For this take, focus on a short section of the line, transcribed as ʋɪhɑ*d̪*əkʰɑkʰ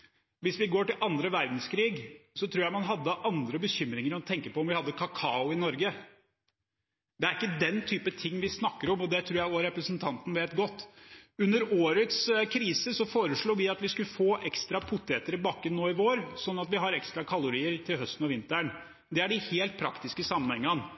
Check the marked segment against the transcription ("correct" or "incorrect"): incorrect